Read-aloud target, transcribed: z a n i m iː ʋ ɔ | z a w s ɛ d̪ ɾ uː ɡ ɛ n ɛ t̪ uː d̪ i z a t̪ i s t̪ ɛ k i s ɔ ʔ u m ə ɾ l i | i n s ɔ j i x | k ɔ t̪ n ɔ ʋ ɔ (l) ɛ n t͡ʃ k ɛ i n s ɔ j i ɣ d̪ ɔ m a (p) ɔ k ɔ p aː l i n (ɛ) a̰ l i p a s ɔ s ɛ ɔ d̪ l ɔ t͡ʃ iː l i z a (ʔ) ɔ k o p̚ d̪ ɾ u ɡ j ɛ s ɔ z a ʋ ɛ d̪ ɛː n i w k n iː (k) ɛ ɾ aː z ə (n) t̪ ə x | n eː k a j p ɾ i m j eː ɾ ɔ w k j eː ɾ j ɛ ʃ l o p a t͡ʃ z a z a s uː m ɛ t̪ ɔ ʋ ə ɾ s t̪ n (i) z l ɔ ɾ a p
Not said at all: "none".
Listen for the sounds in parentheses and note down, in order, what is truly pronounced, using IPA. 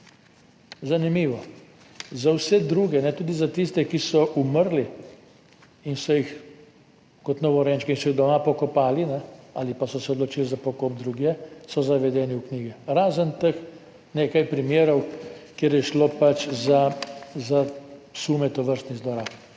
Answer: ɾ, p, ɛ, p, ɡ, n, i

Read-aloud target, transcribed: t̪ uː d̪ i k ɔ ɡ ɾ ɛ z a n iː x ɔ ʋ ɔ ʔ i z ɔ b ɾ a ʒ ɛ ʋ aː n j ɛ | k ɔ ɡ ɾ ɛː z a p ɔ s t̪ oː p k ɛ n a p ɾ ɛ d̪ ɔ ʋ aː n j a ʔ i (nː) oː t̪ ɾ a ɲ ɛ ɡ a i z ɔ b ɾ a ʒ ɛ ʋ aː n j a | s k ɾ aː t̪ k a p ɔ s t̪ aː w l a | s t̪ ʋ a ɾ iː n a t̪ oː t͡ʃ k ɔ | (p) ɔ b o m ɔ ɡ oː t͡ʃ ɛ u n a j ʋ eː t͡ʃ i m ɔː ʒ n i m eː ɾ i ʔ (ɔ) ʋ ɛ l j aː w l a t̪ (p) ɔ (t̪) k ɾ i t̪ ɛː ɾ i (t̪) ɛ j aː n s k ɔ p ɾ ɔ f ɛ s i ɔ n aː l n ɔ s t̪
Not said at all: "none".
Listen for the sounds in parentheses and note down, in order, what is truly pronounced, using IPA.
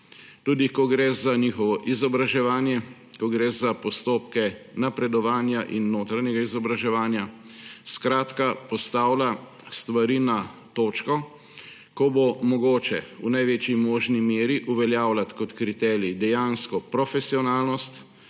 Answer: nː, k, u, k, t̪, d̪

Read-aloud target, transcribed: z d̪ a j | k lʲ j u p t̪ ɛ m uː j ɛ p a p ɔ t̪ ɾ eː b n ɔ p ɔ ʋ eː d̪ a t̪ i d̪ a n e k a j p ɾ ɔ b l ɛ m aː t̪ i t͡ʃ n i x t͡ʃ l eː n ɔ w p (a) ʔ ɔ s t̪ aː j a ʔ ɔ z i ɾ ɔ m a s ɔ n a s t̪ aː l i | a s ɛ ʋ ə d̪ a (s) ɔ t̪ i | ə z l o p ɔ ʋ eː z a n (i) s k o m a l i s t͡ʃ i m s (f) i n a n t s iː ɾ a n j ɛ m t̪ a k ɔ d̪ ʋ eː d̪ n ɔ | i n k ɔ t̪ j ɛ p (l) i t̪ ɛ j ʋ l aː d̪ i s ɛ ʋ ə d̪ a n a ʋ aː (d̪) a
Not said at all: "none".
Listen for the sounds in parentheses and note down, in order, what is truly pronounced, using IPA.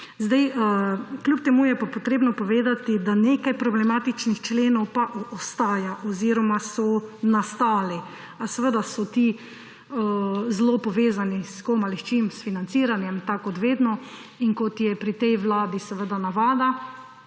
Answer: a, s, i, f, ɾ, d̪

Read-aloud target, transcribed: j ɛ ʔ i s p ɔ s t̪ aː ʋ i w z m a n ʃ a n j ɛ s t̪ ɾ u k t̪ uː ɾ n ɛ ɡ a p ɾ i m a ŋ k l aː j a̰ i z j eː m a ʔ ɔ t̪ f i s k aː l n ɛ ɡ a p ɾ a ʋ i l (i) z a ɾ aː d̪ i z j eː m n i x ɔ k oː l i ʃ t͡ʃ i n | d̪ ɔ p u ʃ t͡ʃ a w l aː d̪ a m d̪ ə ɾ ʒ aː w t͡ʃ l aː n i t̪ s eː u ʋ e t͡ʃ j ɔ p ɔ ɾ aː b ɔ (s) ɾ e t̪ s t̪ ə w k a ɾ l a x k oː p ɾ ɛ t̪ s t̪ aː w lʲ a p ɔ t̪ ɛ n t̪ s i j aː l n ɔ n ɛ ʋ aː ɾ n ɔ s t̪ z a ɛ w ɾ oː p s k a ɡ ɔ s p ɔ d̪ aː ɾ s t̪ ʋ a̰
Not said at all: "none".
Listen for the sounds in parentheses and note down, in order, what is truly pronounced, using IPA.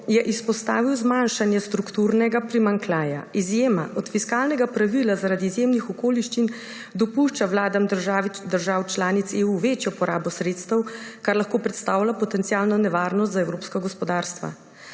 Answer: a, s

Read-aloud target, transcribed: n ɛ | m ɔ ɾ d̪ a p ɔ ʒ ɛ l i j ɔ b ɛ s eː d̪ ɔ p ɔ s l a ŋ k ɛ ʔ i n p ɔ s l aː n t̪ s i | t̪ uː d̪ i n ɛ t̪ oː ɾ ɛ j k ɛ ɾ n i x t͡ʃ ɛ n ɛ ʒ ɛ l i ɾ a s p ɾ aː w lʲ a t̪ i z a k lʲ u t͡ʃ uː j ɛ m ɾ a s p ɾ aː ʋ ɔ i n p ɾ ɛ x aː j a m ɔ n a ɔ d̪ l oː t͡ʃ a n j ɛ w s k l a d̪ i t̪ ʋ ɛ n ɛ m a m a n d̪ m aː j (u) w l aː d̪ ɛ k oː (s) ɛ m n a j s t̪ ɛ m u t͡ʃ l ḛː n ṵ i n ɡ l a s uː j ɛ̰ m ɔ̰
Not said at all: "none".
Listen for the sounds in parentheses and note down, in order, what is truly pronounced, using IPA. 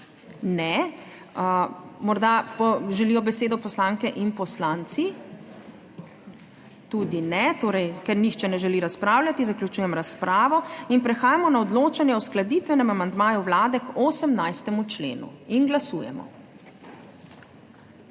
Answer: u, s

